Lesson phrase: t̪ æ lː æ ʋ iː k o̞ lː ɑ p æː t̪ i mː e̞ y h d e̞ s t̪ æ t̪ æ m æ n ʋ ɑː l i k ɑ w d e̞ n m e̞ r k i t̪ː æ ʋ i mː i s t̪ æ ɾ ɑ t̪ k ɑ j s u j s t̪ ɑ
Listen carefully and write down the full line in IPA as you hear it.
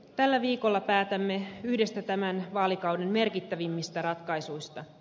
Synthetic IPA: t̪ æ lː æ ʋ iː k o̞ lː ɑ p æː t̪ æ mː e̞ y h d e̞ s t̪ æ t̪ æ m æ n ʋ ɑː l i k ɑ w d e̞ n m e̞ r k i t̪ː æ ʋ i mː i s t̪ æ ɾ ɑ t̪ k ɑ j s u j s t̪ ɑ